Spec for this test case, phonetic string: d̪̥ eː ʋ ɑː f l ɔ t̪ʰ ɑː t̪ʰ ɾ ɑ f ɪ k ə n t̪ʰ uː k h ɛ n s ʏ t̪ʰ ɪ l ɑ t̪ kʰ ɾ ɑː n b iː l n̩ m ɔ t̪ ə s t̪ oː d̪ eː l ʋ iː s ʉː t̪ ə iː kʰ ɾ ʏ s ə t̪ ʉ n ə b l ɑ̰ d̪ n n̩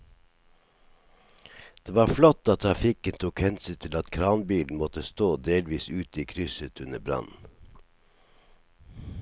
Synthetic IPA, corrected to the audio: d̪̥ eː ʋ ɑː f l ɔ t̪ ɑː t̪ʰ ɾ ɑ f ɪ k ə n t̪ʰ uː k h ɛ n s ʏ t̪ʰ ɪ l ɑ t̪ kʰ ɾ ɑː n b iː l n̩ m ɔ t̪ ə s t̪ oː d̪ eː l ʋ iː s ʉː t̪ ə iː kʰ ɾ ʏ s ə t̪ ʉ n ə b ɾ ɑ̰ n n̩

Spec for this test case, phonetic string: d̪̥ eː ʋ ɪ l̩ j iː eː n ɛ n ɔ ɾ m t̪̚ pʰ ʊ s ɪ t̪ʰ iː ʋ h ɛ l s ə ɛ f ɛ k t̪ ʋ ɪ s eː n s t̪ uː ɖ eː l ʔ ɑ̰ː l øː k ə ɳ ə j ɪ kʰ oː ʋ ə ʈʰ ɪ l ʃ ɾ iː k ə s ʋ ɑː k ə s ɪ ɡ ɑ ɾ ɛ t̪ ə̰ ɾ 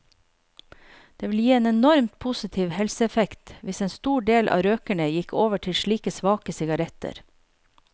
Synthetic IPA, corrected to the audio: d̪̥ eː ʋ ɪ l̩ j iː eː n ɛ n ɔ ɾ m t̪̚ pʰ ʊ s ɪ t̪ʰ iː ʋ h ɛ l s ə ɛ f ɛ k t̪ ʋ ɪ s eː n s t̪ uː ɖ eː l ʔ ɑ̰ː ɾ øː k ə ɳ ə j ɪ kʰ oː ʋ ə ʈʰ ɪ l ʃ ɭ iː k ə s ʋ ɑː k ə s ɪ ɡ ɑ ɾ ɛ t̪ ə̰ ɾ

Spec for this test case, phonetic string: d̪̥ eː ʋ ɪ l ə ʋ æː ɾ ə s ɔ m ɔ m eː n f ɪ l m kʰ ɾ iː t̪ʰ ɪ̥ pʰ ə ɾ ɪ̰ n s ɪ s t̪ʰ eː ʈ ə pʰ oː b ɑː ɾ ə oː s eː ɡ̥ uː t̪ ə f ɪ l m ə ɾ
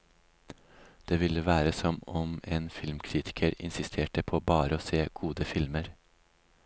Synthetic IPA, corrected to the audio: d̪̥ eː ʋ ɪ l ə ʋ æː ɾ ə s ɔ m ɔ m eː n f ɪ l m kʰ ɾ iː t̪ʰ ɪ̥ kʰ ə ɾ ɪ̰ n s ɪ s t̪ʰ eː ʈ ə pʰ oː b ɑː ɾ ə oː s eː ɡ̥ uː d̪ ə f ɪ l m ə ɾ

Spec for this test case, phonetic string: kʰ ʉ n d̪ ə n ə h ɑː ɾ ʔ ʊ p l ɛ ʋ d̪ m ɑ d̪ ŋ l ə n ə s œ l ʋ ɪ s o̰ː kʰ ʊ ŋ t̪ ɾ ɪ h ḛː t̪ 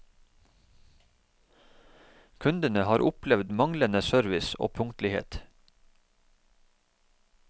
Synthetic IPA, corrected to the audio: kʰ ʉ n d̪ ə n ə h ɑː ɾ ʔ ʊ p l ɛ ʋ d̪ m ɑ ŋ l ə n ə s œ ɾ ʋ ɪ s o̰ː pʰ ʊ ŋ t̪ l ɪ h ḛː t̪

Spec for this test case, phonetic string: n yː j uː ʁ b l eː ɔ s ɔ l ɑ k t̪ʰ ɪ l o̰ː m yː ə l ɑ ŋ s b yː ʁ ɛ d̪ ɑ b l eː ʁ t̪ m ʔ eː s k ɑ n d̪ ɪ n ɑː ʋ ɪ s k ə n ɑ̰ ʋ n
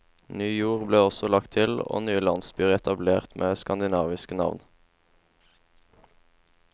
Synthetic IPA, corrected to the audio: n yː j uː ʁ b l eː ɔ s ɔ l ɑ k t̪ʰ ɪ l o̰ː n yː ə l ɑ n s b yː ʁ ɛ t̪ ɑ b l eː ʁ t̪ m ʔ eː s k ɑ n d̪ ɪ n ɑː ʋ ɪ s k ə n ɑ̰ ʋ n

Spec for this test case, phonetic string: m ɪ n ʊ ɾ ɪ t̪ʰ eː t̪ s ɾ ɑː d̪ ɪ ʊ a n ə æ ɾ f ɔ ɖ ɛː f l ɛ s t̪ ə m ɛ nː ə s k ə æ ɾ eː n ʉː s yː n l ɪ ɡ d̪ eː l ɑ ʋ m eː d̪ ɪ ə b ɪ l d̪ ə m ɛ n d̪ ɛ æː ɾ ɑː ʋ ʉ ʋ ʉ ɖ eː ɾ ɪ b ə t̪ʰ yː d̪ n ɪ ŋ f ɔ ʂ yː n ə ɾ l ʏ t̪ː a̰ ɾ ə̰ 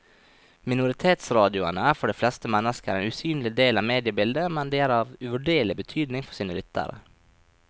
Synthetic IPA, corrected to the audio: m ɪ n ʊ ɾ ɪ t̪ʰ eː t̪ s ɾ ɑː d̪ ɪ ʊ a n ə æ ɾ f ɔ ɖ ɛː f l ɛ s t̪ ə m ɛ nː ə s k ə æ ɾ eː n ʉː s yː n l ɪ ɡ d̪ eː l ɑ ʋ m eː d̪ ɪ ə b ɪ l d̪ ə m ɛ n d̪ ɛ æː ɾ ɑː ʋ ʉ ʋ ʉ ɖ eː ɭ ɪ b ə t̪ʰ yː d̪ n ɪ ŋ f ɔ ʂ iː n ə l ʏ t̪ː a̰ ɾ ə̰

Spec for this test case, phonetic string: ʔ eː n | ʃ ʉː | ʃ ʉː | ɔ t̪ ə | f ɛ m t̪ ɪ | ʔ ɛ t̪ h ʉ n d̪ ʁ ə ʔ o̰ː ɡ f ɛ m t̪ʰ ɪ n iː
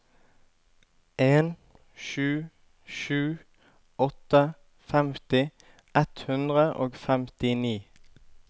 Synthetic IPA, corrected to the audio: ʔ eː n | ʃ ʉː | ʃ ʉː | ɔ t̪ ə | f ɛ m t̪ ɪ | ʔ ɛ t̪ h ʉ n d̪ ʁ ə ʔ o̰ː ɡ f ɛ m t̪ ɪ n iː

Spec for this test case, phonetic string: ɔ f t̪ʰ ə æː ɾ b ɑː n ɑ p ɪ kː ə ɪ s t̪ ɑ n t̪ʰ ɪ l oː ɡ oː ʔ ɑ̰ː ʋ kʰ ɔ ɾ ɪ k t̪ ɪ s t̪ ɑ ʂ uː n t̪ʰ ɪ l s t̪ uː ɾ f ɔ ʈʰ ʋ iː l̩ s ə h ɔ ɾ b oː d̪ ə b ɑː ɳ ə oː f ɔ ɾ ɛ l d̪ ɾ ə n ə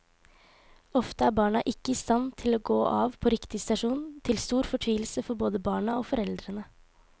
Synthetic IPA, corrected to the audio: ɔ f t̪ ə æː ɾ b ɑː ɳ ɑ ʔ ɪ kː ə ɪ s t̪ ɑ n t̪ʰ ɪ l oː ɡ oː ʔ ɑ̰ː ʋ pʰ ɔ ɾ ɪ k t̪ ɪ s t̪ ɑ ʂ uː n t̪ʰ ɪ l s t̪ uː ɾ f ɔ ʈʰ ʋ iː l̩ s ə f ɔ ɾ b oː d̪ ə b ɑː ɳ ɑ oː f ɔ ɾ ɛ l d̪ ɾ ə n ə

